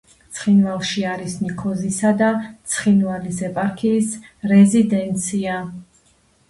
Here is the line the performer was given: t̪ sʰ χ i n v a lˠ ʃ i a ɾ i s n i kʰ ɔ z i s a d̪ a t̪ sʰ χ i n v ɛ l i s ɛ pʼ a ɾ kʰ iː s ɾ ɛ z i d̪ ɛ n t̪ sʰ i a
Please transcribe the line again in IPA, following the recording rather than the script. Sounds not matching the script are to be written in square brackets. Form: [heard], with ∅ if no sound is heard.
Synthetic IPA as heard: t̪ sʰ χ i n v a lˠ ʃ i a ɾ i s n i kʰ ɔ z i s a d̪ a t̪ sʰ χ i n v [a] l i s ɛ pʼ a ɾ kʰ iː s ɾ ɛ z i d̪ ɛ n t̪ sʰ i a